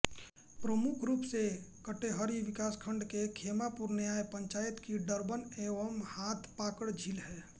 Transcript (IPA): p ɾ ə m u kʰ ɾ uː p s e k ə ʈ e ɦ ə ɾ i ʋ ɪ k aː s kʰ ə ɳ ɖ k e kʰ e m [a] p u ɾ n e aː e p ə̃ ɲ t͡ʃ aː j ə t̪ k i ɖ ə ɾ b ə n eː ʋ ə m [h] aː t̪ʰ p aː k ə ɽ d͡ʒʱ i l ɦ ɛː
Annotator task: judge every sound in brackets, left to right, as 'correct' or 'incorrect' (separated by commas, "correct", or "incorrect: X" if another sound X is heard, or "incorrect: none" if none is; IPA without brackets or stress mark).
correct, correct